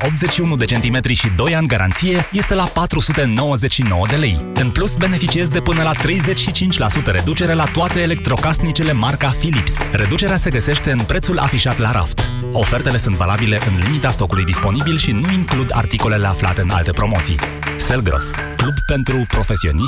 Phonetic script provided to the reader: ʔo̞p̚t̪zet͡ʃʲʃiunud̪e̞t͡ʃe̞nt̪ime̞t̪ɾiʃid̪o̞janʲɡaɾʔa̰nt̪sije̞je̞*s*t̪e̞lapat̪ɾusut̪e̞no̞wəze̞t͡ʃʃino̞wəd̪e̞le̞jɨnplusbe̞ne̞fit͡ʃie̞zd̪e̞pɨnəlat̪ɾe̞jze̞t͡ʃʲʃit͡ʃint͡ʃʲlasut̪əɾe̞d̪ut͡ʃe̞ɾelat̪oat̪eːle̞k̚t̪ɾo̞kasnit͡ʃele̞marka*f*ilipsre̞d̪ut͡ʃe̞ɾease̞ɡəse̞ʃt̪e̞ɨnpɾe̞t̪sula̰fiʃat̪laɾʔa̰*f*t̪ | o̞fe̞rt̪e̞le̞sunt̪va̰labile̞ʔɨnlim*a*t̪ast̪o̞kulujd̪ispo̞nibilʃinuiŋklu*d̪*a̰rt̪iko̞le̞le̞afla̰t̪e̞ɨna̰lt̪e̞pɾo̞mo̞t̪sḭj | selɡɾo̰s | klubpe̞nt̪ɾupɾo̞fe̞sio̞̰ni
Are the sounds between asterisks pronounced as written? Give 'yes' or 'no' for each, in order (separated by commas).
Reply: yes, yes, yes, no, yes